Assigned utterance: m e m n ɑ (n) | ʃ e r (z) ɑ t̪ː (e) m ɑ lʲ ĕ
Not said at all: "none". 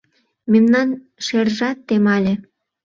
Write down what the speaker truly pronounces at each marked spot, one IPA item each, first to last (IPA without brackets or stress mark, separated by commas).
n, ʒ, e